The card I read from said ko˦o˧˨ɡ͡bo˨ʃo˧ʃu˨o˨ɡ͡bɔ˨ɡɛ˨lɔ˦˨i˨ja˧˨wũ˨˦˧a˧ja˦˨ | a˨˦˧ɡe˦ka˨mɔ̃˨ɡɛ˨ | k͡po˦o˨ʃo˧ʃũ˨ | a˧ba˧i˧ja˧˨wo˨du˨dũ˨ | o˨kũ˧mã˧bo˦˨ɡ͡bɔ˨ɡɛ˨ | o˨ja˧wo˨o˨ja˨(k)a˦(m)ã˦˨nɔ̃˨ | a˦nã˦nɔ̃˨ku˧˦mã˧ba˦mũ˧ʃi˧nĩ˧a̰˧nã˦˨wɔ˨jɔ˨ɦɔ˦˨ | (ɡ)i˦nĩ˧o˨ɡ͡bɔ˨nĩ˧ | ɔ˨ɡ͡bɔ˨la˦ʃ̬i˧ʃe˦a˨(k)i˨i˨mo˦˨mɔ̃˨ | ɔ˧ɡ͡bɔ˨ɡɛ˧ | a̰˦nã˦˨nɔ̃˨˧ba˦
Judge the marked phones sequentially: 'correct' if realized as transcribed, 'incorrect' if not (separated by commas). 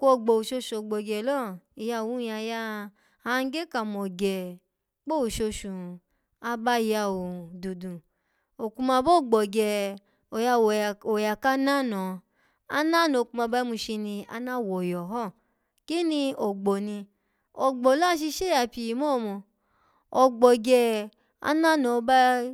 correct, incorrect, incorrect, incorrect